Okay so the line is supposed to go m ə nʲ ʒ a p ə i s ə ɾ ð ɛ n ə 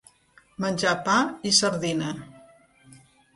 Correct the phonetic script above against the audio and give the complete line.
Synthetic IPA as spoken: m ə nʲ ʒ a p a i s ə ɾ ð i n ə